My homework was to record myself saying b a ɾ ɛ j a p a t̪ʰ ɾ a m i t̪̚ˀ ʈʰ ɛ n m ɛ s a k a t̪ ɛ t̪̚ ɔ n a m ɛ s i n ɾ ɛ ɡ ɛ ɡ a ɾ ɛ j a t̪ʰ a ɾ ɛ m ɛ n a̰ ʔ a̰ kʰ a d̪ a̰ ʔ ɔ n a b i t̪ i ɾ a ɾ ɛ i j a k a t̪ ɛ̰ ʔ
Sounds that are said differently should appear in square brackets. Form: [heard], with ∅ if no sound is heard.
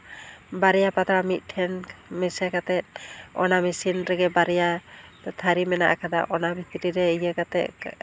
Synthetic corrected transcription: b a ɾ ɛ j a p a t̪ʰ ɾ a m i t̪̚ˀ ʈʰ ɛ n m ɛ s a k a t̪ ɛ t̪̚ ɔ n a m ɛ s i n ɾ ɛ ɡ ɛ [b] a ɾ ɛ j a t̪ʰ a ɾ [i] m ɛ n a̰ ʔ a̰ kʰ a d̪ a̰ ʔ ɔ n a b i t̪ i ɾ [i] ɾ ɛ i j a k a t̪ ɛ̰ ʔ